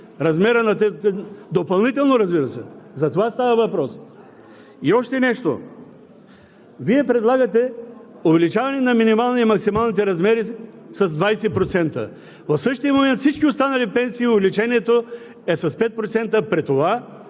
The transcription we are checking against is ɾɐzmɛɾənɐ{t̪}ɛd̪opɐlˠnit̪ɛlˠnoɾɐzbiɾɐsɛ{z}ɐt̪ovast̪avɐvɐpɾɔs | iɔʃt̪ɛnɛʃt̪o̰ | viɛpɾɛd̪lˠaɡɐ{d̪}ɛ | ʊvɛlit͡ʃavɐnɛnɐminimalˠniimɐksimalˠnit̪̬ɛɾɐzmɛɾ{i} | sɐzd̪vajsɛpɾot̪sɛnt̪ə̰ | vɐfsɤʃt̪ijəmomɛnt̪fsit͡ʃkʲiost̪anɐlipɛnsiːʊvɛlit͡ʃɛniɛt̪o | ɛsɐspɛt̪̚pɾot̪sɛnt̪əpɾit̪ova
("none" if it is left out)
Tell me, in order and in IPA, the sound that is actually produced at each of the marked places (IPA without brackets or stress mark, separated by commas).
t̪, z, t̪, i